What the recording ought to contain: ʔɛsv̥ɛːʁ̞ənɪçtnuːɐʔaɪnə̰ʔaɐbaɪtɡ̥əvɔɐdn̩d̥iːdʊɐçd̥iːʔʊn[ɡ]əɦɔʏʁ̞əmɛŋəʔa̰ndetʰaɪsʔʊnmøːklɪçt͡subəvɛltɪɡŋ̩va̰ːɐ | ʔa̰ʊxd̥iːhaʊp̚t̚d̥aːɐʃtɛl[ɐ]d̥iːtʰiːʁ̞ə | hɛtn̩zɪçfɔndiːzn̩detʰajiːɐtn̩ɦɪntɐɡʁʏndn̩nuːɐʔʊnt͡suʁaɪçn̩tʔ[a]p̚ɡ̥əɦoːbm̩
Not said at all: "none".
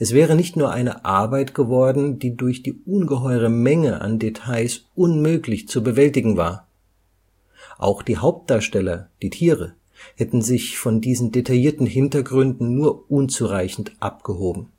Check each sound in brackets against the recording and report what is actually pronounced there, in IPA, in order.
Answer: ɡ, ɐ, a

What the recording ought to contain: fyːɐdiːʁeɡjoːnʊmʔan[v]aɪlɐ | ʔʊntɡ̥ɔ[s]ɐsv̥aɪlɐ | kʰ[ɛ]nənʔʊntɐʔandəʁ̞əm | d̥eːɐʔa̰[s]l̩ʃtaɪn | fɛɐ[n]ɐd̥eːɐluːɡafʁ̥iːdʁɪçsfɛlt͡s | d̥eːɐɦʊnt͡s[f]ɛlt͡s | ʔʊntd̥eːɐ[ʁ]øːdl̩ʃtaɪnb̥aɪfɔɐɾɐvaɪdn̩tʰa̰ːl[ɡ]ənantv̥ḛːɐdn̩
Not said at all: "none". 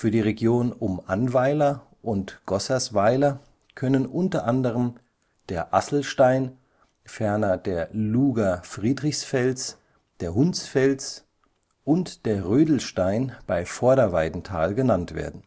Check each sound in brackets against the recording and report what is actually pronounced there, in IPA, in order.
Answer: v, s, œ, s, n, f, ʁ, ɡ

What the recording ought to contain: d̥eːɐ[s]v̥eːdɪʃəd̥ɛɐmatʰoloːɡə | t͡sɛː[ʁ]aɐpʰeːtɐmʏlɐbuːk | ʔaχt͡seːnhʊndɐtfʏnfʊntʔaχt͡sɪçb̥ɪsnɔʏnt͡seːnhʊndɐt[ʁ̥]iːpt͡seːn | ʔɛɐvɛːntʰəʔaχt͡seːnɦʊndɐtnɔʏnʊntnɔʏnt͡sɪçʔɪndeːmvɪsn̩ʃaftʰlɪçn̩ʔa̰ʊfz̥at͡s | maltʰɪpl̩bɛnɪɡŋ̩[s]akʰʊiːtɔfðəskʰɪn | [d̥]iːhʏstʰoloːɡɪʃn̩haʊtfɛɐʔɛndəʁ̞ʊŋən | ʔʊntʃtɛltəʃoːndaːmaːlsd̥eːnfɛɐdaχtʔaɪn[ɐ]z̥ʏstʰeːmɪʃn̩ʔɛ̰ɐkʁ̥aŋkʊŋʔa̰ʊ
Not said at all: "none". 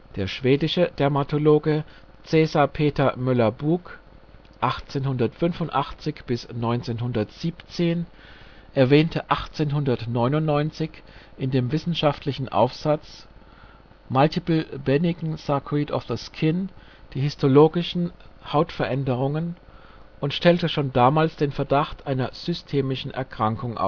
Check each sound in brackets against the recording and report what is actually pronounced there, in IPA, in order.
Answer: ʃ, z, z̥, s, d̥, ɐ

